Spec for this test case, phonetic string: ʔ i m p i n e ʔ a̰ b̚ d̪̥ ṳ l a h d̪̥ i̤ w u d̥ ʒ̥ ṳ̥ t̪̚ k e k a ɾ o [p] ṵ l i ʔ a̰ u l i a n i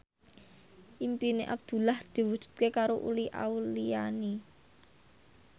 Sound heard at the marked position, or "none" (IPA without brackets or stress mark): ʔ